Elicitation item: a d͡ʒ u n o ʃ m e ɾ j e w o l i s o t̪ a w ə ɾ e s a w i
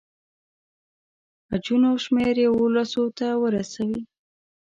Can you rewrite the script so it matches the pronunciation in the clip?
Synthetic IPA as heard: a d͡ʒ u n o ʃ m e ɾ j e w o l a s o t̪ a w ə ɾ a s a w i